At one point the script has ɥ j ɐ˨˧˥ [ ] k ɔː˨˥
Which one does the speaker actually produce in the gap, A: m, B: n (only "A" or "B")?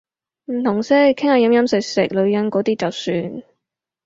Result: B